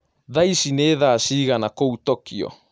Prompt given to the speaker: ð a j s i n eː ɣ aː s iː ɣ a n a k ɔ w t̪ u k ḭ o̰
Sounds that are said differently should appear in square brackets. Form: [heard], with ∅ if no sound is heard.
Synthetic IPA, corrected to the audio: ð a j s i n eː [ð] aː s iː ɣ a n a k [o] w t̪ [o] k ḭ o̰